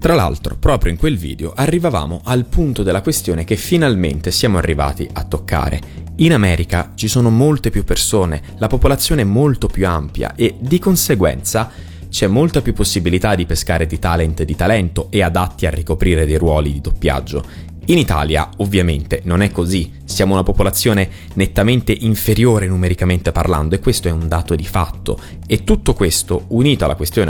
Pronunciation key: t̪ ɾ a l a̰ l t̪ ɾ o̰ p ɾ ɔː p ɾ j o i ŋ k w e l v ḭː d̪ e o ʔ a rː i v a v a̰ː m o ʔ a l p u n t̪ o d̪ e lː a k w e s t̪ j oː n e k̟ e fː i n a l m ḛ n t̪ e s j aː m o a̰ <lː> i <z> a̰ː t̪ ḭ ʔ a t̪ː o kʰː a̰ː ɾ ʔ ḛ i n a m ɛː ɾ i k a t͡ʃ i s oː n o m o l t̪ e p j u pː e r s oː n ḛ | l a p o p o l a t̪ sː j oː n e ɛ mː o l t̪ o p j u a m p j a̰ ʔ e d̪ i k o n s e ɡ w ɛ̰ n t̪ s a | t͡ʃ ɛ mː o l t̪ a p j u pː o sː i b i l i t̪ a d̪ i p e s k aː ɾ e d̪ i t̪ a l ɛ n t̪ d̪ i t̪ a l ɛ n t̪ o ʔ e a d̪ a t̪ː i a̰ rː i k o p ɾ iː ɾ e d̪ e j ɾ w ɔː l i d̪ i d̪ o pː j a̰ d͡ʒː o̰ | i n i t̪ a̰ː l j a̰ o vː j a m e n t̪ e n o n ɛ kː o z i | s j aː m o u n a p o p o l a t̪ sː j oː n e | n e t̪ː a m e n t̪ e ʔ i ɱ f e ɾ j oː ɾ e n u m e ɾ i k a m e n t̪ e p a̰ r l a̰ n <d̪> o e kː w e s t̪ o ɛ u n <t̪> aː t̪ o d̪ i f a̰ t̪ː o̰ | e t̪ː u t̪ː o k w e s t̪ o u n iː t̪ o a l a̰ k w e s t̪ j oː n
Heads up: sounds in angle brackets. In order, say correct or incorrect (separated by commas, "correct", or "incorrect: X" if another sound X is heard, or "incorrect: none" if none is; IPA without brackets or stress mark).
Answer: incorrect: rː, incorrect: v, correct, incorrect: d̪